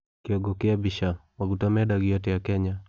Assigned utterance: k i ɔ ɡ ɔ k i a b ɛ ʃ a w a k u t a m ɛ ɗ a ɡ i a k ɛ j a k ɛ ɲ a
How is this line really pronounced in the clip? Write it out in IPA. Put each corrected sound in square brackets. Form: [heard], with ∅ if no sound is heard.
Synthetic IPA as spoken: k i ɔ ɡ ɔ k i a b [i] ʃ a w a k u t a m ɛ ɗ a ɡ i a [t] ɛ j a k ɛ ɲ a